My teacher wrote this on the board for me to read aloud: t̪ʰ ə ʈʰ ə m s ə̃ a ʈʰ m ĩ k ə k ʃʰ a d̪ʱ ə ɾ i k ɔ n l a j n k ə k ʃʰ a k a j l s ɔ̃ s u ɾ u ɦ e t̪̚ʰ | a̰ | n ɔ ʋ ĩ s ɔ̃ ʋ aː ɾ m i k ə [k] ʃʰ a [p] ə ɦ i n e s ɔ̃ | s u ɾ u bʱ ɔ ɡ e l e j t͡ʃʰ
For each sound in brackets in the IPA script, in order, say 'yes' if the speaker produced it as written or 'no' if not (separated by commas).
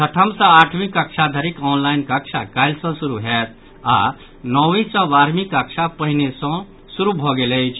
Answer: yes, yes